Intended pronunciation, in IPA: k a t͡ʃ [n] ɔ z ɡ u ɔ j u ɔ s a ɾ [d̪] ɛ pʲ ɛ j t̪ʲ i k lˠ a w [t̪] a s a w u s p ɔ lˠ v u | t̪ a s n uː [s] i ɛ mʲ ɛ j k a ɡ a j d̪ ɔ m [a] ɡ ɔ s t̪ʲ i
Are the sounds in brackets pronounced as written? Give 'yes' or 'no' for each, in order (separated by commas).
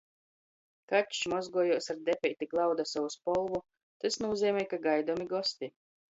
no, yes, no, no, no